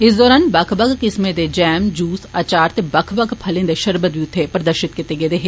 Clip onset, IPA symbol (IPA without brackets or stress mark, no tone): ɪ